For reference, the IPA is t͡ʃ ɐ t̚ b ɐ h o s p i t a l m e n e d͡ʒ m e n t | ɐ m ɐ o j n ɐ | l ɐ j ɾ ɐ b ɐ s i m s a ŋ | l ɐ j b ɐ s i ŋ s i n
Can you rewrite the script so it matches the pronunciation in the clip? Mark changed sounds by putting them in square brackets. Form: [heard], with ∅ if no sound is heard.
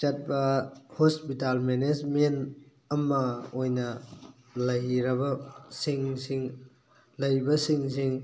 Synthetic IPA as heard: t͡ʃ ɐ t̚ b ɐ h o s p i t a l m e n e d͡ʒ m e n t | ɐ m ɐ o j n ɐ | l ɐ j ɾ ɐ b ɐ s i [ŋ] s [i] ŋ | l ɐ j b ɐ s i ŋ s i [ŋ]